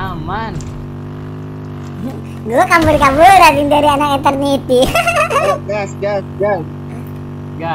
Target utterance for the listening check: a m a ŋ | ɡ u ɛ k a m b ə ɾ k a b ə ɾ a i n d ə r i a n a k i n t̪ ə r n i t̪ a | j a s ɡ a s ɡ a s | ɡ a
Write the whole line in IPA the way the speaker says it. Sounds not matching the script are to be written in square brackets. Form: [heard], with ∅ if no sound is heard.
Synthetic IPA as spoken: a m a [n] | ɡ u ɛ k a m b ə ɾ k a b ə ɾ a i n d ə [ɾ] i a n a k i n t̪ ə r n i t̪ [i] | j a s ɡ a s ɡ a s | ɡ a

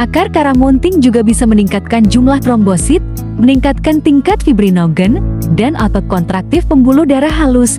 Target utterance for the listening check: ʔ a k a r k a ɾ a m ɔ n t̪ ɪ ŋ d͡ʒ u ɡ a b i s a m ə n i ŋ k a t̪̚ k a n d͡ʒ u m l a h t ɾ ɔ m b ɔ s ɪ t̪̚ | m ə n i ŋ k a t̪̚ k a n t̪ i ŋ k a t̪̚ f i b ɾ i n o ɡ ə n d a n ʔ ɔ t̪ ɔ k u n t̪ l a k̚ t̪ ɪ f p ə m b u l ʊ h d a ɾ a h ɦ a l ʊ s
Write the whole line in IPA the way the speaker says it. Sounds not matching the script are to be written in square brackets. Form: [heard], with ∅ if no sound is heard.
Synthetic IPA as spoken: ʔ a k a r k a ɾ a m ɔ n t̪ ɪ ŋ d͡ʒ u ɡ a b i s a m ə n i ŋ k a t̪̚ k a n d͡ʒ u m l a h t ɾ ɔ m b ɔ s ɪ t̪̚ | m ə n i ŋ k a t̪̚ k a n t̪ i ŋ k a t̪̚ f i b ɾ i n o ɡ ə n d a n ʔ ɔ t̪ ɔ k [ɔ] n t̪ [ɾ] a k̚ t̪ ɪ f p ə m b u l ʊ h d a ɾ a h ɦ a l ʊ s

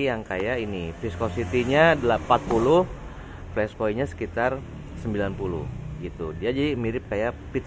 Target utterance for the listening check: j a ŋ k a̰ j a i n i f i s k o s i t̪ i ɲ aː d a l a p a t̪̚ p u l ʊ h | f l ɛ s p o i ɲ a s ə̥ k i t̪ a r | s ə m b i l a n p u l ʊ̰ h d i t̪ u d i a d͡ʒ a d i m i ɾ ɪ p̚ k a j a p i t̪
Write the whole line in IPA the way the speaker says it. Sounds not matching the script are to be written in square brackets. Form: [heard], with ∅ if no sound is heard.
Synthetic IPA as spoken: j a ŋ k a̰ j a i n i f i s k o s i t̪ i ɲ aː d a l a p a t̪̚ p u l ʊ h | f l ɛ s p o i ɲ a s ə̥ k i t̪ a r | s ə m b i l a n p u l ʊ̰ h [ɡ] i t̪ u d i a d͡ʒ a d i m i ɾ ɪ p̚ k a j a p i t̪

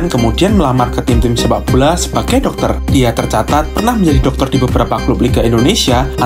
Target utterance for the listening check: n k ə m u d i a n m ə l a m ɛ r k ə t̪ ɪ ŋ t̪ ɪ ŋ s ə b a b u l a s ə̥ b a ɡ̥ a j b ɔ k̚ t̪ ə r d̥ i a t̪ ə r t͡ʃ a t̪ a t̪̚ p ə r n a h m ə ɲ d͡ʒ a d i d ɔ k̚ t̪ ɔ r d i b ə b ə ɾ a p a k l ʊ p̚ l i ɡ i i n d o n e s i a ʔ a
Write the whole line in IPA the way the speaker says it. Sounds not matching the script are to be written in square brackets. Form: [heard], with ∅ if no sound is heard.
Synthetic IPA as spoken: n k ə m u d i a n m ə l a m [a] r k ə t̪ ɪ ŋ t̪ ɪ [m] s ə b a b u l a s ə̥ b a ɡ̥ a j [d] ɔ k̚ t̪ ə r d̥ i a t̪ ə r t͡ʃ a t̪ a t̪̚ p ə r n a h m ə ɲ d͡ʒ a d i d ɔ k̚ t̪ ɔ r d i b ə b ə ɾ a p a k l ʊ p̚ l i ɡ [a] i n d o n e s i a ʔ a

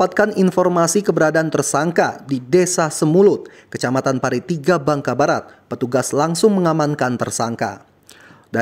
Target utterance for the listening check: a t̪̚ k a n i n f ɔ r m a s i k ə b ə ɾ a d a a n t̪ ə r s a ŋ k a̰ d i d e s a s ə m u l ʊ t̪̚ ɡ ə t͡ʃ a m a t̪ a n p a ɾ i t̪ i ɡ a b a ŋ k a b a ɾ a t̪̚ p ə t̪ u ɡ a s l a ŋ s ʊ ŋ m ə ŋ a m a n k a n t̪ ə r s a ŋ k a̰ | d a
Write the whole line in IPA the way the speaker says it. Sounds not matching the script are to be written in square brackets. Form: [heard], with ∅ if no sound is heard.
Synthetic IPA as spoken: a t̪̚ k a n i n f ɔ r m a s i k ə b ə ɾ a d a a n t̪ ə r s a ŋ k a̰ d i d e s a s ə m u l ʊ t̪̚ [k] ə t͡ʃ a m a t̪ a n p a ɾ i t̪ i ɡ a b a ŋ k a b a ɾ a t̪̚ p ə t̪ u ɡ a s l a ŋ s ʊ ŋ m ə ŋ a m a n k a n t̪ ə r s a ŋ k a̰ | d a

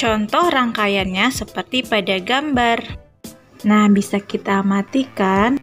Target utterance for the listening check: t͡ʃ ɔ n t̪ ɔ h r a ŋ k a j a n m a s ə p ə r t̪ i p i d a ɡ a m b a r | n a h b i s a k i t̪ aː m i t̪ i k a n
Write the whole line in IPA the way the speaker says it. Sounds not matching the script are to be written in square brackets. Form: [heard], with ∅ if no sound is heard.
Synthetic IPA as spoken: t͡ʃ ɔ n t̪ ɔ h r a ŋ k a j a n [ɲ] a s ə p ə r t̪ i p [a] d a ɡ a m b a r | n a h b i s a k i t̪ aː m [a] t̪ i k a n

